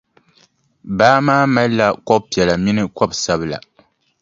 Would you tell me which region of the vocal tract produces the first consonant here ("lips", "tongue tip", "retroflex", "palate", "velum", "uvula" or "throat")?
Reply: lips